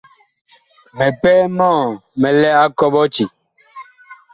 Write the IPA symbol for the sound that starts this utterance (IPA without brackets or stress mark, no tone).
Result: m